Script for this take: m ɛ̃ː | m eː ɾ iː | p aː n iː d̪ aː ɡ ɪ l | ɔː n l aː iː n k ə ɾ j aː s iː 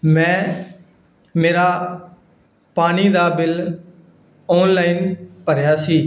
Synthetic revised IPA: m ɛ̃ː | m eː ɾ aː | p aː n iː d̪ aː b ɪ l | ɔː n l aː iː n p ə ɾ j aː s iː